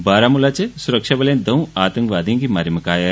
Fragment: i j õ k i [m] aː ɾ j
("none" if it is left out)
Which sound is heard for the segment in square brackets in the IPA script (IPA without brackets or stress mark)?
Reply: m